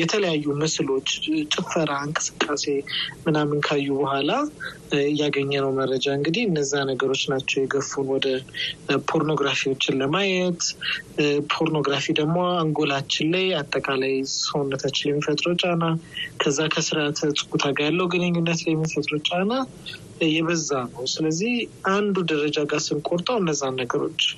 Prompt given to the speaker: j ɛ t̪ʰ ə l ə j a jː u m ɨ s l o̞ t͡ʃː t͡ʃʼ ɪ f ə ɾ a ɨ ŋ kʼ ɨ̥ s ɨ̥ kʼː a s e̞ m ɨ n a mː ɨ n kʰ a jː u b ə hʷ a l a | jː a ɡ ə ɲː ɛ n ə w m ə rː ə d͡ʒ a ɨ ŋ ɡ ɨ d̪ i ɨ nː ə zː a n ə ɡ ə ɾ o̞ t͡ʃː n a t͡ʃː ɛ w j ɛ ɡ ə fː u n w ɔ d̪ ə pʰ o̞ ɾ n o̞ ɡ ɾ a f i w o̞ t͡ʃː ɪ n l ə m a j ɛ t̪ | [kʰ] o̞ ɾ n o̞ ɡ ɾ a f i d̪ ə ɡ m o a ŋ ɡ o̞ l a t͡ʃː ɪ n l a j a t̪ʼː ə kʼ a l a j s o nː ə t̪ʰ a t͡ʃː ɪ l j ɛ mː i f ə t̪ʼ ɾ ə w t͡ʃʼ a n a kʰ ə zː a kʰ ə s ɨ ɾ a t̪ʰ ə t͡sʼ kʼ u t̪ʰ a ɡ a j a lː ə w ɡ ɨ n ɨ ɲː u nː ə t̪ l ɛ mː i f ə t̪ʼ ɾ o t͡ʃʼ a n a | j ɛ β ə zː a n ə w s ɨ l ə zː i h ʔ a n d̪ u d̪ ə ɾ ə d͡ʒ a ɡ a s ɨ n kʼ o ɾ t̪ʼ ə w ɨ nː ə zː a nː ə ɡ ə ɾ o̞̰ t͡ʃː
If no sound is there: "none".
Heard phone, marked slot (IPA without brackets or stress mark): pʰ